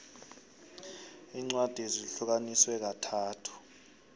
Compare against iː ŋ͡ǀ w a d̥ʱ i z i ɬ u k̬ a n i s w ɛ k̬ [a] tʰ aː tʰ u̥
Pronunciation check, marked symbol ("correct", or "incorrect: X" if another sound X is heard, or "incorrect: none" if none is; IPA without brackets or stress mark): correct